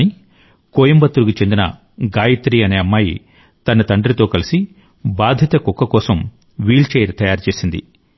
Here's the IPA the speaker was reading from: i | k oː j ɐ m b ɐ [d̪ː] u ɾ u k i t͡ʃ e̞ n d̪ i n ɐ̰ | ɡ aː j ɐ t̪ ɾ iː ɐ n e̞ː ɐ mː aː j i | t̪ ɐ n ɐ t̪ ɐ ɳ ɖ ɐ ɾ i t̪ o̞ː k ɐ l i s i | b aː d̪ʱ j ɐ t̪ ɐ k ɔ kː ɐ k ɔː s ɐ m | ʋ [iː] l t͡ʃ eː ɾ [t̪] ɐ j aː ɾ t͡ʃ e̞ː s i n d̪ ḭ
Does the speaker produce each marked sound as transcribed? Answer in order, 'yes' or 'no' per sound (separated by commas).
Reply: no, yes, yes